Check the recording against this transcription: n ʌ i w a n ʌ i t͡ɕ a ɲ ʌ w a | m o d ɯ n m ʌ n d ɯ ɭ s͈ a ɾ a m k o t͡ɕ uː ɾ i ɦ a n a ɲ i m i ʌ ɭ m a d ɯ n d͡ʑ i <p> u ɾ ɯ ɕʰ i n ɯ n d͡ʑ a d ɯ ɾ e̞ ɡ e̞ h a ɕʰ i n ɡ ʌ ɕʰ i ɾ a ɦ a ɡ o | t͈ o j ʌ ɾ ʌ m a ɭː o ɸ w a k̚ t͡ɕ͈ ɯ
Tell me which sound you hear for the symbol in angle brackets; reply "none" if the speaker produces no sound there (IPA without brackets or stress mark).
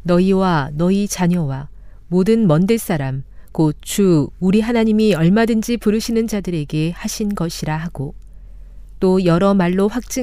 p